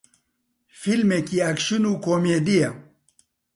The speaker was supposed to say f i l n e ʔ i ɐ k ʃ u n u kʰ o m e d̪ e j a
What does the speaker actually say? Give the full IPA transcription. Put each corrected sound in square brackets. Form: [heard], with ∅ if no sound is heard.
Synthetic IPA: f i l [m] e [k] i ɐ k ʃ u n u [k] o m e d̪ [i] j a